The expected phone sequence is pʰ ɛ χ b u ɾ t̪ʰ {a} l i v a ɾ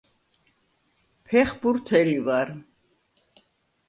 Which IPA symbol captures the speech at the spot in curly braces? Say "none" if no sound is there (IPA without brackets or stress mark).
ɛ